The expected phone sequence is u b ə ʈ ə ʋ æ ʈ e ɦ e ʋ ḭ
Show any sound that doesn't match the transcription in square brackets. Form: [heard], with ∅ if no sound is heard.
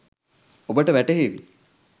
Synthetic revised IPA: [o] b ə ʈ ə ʋ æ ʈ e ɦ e ʋ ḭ